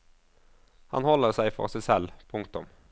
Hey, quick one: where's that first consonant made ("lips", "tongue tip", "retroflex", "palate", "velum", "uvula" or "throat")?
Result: throat